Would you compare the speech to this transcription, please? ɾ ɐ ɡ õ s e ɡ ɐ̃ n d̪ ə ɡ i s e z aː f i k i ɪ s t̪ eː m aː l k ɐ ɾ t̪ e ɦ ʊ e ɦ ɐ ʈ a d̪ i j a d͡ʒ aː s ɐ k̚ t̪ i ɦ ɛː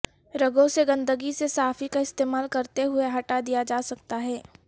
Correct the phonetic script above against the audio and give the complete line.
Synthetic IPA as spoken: ɾ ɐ ɡ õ s e ɡ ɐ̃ n d̪ ə ɡ i s e s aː f i k a ɪ s t̪ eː m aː l k ɐ ɾ t̪ e ɦ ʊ e ɦ ɐ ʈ a d̪ i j a d͡ʒ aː s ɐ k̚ t̪ a ɦ ɛː